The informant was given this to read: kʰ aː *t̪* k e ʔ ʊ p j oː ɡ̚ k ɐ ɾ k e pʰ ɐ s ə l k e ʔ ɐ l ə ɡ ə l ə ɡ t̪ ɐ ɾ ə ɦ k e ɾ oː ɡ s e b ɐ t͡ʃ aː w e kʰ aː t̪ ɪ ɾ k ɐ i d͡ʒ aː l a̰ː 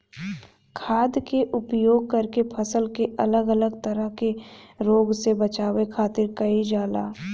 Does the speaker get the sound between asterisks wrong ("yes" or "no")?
yes